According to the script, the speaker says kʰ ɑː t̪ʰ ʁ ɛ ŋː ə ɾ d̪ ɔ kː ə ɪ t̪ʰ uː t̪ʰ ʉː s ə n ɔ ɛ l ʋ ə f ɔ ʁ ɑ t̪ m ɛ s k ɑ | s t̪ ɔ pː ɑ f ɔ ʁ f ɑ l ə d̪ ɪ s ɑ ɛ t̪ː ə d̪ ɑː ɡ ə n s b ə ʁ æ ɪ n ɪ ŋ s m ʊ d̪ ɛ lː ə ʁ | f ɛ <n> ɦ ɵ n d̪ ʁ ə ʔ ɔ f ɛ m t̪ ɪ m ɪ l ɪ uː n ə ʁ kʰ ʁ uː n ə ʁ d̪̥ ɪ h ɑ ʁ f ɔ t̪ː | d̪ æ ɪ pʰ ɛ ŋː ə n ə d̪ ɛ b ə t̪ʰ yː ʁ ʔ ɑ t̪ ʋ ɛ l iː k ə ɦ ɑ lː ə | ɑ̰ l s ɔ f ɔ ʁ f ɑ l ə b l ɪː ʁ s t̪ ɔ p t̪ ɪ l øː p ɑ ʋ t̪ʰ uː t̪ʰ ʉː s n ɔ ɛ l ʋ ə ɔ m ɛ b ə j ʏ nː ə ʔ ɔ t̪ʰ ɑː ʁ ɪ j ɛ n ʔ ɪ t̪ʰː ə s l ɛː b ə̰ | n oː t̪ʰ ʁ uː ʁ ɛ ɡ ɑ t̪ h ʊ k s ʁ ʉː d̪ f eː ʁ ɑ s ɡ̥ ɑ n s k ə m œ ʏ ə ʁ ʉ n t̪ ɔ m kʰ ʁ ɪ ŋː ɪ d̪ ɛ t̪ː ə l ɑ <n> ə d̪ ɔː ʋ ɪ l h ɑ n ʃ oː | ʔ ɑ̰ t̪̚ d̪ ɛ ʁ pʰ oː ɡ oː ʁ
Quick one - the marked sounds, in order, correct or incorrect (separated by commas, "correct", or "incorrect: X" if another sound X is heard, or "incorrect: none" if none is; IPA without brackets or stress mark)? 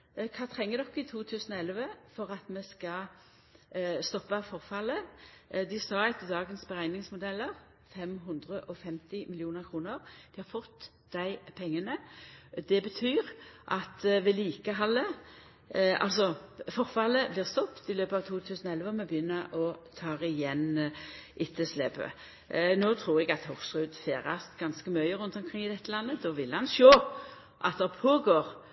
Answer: incorrect: m, incorrect: nː